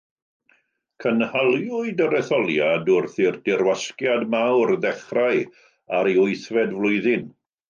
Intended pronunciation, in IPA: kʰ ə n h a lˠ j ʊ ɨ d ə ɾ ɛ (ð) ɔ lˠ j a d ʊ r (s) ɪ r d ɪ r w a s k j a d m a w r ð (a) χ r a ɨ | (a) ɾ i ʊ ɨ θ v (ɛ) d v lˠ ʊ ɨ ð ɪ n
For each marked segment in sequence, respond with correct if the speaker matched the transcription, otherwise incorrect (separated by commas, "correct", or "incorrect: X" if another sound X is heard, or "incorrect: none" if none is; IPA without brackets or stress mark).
incorrect: θ, incorrect: θ, incorrect: ɛ, correct, correct